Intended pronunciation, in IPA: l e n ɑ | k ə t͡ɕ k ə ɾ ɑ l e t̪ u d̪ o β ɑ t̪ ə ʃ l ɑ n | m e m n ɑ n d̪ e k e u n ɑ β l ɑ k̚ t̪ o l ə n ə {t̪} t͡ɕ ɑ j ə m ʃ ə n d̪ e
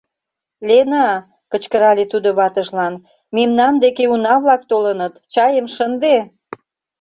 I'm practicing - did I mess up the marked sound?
no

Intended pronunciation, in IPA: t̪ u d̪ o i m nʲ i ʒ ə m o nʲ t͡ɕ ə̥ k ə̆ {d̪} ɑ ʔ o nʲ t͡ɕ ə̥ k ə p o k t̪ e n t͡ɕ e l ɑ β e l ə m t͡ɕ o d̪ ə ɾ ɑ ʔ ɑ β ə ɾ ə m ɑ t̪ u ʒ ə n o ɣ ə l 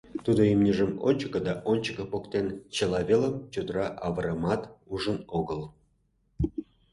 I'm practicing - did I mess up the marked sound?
no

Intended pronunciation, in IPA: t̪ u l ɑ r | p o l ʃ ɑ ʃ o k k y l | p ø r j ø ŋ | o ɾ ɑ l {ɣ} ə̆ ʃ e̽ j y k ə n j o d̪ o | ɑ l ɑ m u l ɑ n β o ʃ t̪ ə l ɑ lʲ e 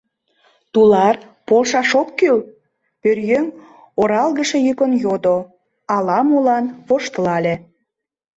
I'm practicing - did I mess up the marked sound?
no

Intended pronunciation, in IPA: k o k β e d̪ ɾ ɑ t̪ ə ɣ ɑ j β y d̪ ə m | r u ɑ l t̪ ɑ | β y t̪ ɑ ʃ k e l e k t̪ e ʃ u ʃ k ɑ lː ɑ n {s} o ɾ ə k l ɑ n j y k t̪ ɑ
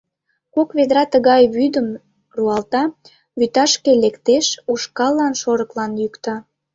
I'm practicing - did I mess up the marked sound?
yes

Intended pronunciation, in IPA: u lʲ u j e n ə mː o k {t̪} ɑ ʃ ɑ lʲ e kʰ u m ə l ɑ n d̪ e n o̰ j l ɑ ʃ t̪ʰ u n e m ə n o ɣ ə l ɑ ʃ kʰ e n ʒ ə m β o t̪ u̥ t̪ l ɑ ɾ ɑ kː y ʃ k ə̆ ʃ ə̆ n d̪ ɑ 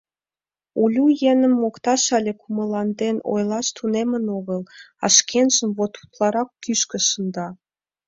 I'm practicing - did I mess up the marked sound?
no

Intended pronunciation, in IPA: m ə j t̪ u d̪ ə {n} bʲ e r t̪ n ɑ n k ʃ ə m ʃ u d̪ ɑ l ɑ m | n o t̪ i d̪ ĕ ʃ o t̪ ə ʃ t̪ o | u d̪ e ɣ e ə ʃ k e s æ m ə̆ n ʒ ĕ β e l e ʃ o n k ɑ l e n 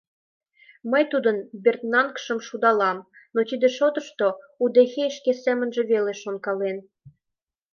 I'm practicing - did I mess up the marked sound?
no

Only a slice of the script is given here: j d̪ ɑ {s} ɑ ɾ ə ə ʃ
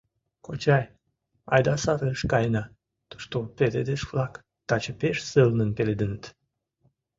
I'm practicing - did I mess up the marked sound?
no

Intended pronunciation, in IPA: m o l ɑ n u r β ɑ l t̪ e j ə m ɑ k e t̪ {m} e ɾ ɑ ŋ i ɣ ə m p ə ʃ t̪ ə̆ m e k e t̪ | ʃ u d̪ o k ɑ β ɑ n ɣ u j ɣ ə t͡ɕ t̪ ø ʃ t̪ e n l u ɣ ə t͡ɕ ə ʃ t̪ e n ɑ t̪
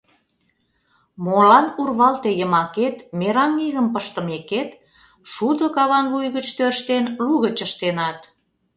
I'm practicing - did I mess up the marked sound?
no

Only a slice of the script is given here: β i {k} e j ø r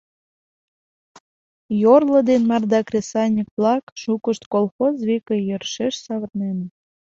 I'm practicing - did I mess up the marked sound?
no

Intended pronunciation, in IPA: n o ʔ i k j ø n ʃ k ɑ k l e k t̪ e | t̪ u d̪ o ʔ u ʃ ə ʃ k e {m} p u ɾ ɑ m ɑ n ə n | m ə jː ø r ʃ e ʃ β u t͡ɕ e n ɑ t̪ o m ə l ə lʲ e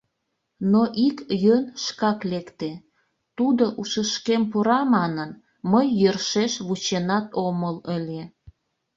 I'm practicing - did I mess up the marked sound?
no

